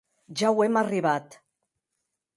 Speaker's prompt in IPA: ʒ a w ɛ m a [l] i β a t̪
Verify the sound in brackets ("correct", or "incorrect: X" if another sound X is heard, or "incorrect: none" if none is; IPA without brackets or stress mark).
incorrect: r